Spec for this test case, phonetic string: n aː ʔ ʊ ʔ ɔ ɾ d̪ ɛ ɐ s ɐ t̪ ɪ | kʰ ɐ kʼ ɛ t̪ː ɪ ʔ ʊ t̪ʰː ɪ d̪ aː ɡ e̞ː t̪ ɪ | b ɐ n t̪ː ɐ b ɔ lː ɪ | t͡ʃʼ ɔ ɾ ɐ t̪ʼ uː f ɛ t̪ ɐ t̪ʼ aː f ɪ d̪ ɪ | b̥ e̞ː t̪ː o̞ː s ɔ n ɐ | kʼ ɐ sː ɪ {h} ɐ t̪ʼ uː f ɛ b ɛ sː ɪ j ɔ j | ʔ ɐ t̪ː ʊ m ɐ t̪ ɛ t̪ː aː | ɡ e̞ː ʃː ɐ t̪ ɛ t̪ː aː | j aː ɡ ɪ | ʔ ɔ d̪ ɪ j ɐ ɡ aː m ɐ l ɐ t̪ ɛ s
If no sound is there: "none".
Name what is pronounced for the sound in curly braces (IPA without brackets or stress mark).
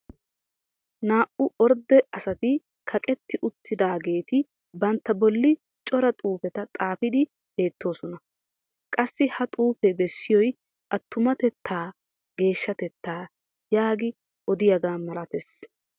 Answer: h